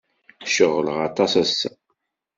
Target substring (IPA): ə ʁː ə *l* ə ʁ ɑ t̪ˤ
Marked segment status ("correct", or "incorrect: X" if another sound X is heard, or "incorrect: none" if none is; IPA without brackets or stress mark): correct